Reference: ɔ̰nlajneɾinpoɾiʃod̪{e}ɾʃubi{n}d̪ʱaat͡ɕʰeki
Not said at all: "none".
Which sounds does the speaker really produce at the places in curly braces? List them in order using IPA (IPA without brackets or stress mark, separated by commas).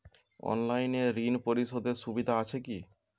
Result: e, none